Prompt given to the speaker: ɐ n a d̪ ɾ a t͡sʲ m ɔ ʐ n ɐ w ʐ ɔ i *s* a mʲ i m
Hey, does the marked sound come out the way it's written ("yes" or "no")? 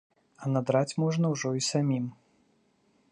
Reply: yes